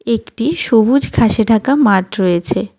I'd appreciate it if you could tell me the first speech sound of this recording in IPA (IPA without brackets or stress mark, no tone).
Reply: e